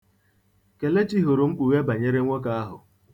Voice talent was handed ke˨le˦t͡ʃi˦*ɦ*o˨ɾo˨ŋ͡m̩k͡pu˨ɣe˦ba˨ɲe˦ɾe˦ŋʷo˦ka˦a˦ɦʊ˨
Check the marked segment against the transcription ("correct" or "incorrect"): correct